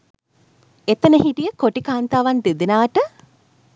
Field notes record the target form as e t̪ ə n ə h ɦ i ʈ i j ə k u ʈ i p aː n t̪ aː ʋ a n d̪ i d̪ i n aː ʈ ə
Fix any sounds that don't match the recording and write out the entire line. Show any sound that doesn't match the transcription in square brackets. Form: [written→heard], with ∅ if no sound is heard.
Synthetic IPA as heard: e t̪ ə n ə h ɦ i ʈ i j ə k [u→o] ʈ i [p→k] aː n t̪ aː ʋ a n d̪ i d̪ i n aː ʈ ə